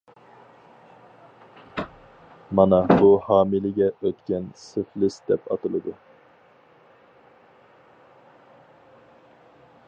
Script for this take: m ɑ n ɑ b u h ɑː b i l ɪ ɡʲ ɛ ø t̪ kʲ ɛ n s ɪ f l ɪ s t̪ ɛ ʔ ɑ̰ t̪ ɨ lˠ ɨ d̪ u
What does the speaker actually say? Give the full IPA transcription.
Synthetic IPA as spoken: m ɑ n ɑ b u h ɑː m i l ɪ ɡʲ ɛ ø t̪ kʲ ɛ n s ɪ f l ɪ s d̪ ɛ p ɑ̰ t̪ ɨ lˠ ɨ d̪ u